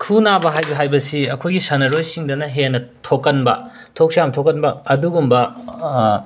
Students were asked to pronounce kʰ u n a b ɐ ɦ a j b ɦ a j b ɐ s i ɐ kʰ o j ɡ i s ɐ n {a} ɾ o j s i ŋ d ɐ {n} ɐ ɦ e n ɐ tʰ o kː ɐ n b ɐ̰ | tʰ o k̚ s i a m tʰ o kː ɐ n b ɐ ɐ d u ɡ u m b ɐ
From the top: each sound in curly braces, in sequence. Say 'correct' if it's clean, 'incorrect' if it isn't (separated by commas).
incorrect, correct